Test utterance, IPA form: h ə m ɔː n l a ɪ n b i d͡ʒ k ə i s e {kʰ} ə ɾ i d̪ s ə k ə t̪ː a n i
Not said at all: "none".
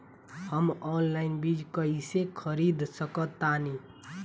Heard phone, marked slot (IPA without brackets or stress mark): kʰ